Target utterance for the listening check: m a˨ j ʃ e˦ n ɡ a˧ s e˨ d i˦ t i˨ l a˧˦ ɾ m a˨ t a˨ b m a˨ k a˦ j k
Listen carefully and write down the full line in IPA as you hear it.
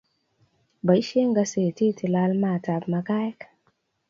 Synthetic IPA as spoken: b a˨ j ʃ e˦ ŋ ɡ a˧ s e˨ t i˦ t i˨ l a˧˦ l m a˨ t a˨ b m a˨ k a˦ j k